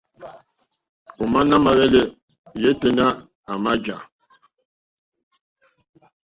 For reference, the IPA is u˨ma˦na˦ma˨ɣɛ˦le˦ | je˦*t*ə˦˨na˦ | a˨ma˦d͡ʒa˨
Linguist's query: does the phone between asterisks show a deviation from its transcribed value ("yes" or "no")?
no